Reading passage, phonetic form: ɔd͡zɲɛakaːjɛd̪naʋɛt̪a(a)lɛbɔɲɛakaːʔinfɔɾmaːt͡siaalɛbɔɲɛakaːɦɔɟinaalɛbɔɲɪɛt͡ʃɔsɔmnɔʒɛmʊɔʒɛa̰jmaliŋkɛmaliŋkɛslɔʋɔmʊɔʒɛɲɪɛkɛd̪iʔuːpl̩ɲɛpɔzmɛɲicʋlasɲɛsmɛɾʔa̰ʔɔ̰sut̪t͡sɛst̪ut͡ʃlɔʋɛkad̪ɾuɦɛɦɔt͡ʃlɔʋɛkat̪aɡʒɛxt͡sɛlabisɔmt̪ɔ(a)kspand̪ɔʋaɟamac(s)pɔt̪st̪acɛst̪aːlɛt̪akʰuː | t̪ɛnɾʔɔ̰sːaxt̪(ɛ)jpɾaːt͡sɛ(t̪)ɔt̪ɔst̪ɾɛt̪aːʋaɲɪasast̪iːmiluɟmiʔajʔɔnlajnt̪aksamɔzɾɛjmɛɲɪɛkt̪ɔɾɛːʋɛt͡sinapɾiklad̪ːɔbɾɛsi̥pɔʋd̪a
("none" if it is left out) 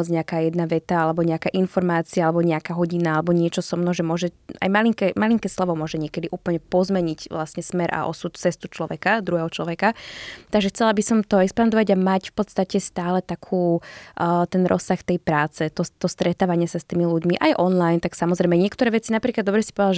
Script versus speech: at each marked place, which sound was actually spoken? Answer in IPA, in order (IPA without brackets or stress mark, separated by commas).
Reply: a, ɛ, f, ɛ, t̪